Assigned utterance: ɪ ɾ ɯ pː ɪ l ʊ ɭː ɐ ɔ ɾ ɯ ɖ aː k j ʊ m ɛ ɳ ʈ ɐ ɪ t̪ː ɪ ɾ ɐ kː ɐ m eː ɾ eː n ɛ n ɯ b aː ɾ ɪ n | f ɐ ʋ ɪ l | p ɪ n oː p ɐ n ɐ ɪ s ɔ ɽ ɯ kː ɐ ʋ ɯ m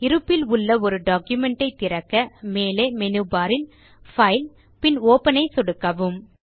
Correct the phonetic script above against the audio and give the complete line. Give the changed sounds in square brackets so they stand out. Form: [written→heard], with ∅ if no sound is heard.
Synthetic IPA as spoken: ɪ ɾ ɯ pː ɪ l ʊ ɭː ɐ ɔ ɾ ɯ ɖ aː k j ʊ m ɛ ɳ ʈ ɐ ɪ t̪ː ɪ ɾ ɐ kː ɐ m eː [ɾ→l] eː [n→m] ɛ n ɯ b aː ɾ ɪ n | f ɐ [ʋ→∅] ɪ l | p ɪ n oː p ɐ n ɐ ɪ s ɔ ɽ ɯ kː ɐ ʋ ɯ m